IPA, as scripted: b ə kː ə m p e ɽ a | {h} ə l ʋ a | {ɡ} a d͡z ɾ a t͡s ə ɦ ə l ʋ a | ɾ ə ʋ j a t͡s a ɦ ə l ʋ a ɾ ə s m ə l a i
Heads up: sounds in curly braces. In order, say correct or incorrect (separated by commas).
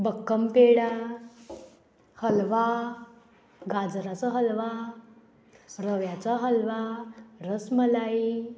correct, correct